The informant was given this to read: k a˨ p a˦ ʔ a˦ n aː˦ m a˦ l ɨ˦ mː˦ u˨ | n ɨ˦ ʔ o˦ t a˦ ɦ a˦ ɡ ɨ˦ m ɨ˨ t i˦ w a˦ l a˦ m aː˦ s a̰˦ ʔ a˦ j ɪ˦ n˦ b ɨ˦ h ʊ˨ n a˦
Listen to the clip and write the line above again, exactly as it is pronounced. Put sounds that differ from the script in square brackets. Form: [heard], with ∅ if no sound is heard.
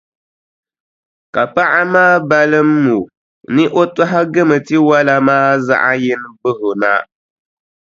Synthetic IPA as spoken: k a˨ p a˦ ʔ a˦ [m] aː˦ [b] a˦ l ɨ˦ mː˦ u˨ | n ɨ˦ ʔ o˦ t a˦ ɦ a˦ ɡ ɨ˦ m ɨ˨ t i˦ w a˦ l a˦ m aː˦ [z] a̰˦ ʔ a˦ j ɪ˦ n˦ b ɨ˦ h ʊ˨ n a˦